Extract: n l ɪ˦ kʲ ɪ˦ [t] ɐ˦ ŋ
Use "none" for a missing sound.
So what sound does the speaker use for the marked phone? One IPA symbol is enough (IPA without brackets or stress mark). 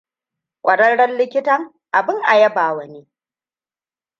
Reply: t